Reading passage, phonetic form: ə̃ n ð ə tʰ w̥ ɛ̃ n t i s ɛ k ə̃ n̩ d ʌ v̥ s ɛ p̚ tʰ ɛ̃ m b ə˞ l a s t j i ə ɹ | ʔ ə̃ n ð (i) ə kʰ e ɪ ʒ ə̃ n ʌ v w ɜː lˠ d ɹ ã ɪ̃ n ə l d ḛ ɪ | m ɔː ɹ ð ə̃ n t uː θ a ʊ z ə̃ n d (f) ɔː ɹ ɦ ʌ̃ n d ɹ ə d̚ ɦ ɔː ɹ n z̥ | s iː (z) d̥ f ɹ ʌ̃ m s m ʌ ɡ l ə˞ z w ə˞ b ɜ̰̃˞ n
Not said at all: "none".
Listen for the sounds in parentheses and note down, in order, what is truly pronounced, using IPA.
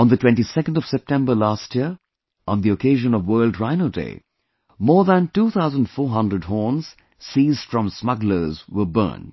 i, f, z

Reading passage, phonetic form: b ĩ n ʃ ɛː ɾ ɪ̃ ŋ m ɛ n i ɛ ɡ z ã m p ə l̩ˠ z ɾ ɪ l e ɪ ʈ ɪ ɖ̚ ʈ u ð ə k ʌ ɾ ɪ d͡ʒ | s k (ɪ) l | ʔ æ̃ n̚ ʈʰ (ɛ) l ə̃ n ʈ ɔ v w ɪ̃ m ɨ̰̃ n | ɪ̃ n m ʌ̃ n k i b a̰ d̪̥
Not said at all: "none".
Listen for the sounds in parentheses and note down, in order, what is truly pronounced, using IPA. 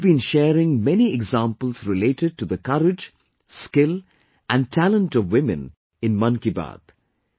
ɪ, æ

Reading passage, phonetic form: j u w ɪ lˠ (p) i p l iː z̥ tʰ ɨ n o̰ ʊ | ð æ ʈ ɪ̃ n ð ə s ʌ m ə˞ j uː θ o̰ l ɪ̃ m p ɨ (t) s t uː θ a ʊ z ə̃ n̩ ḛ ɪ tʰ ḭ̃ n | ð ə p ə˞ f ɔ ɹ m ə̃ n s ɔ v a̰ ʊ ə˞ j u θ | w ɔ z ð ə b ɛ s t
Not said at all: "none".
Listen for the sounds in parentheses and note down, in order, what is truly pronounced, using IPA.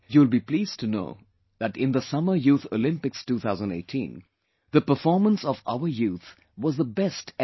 b, k

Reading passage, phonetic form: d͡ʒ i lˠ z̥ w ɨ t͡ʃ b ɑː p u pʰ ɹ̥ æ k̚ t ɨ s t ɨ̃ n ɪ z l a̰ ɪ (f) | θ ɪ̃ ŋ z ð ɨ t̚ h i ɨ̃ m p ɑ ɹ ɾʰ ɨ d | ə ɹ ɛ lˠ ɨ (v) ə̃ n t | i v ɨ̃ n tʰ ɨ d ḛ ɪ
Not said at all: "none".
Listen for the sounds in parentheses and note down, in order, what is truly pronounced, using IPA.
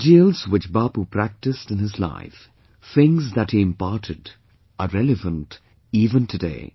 f, v

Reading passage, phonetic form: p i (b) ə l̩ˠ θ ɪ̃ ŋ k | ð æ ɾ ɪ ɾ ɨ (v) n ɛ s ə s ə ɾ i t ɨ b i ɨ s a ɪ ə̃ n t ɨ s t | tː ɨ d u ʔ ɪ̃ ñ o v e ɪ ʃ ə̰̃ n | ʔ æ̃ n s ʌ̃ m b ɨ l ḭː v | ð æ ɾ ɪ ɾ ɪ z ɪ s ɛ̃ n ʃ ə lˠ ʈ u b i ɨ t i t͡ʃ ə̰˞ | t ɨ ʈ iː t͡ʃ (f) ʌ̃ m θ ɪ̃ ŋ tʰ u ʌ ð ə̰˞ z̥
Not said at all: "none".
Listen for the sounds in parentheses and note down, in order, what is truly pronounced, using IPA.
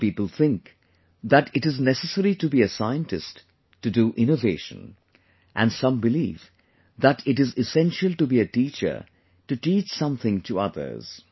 p, z, s

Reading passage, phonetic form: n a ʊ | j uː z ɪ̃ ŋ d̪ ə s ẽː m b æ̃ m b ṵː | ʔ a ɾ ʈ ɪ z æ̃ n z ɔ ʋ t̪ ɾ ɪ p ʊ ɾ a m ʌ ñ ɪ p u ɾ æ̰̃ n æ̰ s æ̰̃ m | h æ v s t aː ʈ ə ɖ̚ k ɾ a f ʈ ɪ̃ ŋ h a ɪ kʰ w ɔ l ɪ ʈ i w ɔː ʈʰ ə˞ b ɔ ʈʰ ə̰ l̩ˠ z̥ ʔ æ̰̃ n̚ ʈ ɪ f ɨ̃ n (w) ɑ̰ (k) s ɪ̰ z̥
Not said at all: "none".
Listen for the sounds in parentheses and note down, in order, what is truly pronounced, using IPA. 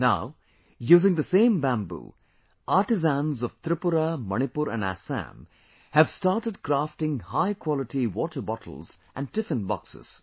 b, k

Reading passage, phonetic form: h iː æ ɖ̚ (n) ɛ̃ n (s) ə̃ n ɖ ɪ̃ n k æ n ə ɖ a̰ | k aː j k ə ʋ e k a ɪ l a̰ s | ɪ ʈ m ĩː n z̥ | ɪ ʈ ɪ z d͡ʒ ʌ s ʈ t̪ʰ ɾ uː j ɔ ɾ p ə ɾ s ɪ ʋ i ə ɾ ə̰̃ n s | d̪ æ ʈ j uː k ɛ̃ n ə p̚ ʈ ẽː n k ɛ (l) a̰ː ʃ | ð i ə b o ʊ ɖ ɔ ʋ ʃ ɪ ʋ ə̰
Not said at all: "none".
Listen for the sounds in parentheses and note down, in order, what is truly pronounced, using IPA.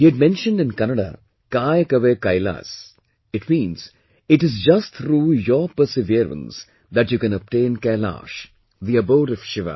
m, ʃ, l

